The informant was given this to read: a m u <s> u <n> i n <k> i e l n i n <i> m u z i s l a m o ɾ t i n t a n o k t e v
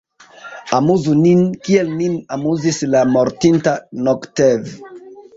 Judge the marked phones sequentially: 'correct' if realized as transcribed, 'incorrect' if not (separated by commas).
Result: incorrect, correct, correct, incorrect